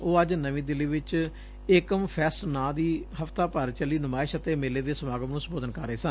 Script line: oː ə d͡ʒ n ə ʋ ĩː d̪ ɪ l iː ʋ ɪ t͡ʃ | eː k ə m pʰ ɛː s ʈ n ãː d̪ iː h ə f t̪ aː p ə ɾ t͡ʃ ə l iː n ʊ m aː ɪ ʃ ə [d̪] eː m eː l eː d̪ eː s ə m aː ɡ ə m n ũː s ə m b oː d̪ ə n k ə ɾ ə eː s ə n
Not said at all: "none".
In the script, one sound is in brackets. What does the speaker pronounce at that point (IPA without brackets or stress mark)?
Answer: t̪